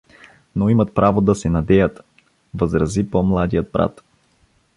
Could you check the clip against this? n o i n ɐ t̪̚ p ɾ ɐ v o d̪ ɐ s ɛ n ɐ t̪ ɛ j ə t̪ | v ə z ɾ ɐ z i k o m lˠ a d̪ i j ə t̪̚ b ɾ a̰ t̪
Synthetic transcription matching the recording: n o i m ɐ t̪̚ p ɾ a v o d̪ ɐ s ɛ n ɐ d̪ ɛ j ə t̪ | v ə z ɾ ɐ z i p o m lˠ a d̪ i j ə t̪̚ b ɾ a̰ t̪